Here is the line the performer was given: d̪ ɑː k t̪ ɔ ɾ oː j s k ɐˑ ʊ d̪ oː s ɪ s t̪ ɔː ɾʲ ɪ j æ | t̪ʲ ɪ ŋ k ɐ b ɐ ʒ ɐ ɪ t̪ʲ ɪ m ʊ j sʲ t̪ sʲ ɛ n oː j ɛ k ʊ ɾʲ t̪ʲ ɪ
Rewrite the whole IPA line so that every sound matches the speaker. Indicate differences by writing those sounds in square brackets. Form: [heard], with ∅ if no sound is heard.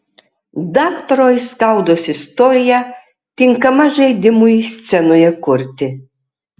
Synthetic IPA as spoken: d̪ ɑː k t̪ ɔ ɾ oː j s k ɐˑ ʊ d̪ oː s ɪ s t̪ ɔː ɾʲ ɪ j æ | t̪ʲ ɪ ŋ k ɐ [m] ɐ ʒ ɐ ɪ [d̪ʲ] ɪ m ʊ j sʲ t̪ sʲ ɛ n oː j ɛ k ʊ ɾʲ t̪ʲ ɪ